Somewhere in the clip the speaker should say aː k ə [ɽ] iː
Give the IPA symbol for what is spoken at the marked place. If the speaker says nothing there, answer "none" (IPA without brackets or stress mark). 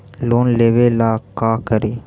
ɾ